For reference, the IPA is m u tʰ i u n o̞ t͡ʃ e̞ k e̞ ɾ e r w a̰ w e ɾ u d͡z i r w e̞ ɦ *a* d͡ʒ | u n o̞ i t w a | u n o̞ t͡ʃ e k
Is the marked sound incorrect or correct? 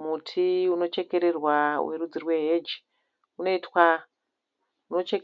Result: incorrect